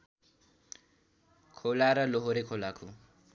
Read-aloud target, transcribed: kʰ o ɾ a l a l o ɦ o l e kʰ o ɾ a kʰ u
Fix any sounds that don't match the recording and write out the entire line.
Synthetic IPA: kʰ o l a ɾ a l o ɦ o ɾ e kʰ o l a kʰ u